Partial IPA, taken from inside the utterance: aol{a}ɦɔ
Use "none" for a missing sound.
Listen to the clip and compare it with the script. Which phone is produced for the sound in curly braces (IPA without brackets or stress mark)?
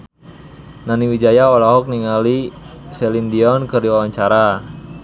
a